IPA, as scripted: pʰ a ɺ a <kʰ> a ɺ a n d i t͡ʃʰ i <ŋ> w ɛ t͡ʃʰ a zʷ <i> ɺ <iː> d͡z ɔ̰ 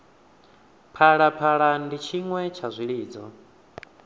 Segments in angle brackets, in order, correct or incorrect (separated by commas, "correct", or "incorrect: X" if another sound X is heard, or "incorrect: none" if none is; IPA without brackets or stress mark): incorrect: pʰ, correct, correct, correct